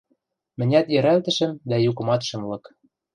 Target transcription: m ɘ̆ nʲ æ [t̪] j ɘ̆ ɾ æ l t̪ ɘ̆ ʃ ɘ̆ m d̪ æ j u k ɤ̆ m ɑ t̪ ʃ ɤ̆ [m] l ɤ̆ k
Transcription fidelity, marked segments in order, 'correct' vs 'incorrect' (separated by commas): correct, correct